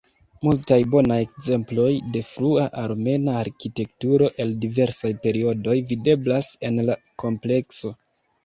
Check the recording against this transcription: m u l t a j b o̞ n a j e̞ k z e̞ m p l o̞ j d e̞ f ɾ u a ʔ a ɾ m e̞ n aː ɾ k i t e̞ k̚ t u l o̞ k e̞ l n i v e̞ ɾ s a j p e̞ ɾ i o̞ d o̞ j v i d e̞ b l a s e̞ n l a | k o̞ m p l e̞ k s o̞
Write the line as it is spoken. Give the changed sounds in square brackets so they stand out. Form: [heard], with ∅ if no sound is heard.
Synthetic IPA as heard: m u l t a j b o̞ n a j e̞ k z e̞ m p l o̞ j d e̞ f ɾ u a ʔ a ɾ m e̞ n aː ɾ k i t e̞ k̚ t u [ɾ] o̞ [ʔ] e̞ l [d] i v e̞ ɾ s a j p e̞ ɾ i o̞ d o̞ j v i d e̞ b l a s e̞ n l a | k o̞ m p l e̞ k s o̞